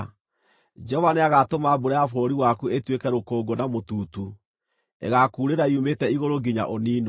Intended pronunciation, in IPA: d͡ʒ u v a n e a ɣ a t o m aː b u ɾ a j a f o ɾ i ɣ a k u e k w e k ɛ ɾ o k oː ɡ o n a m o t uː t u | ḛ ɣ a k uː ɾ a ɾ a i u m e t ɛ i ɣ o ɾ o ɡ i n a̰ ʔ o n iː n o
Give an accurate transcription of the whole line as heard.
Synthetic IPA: d͡ʒ ɔ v a n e a ɣ a t o m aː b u ɾ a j a f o ɾ i w a k u e t w e k ɛ ɾ o k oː ɡ o n a m o t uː t u | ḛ ɣ a k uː ɾ e ɾ a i u m e t ɛ i ɣ o ɾ o ɡ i ɲ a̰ ʔ o n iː n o